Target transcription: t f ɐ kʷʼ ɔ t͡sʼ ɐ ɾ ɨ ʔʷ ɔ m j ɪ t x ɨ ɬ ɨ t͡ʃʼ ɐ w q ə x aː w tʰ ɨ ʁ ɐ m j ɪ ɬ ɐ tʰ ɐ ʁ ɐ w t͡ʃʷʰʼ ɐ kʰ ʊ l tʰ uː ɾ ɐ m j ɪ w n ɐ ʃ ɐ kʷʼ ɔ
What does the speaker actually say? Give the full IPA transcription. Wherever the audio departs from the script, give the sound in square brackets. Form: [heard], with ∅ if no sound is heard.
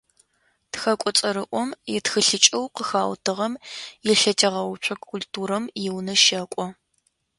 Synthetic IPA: t [x] ɐ kʷʼ ɔ t͡sʼ ɐ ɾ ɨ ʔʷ ɔ m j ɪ t x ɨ ɬ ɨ t͡ʃʼ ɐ w q ə x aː w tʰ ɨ ʁ ɐ m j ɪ ɬ ɐ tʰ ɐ ʁ ɐ w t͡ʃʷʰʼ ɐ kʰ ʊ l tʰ uː ɾ ɐ m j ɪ w n ɐ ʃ ɐ kʷʼ ɔ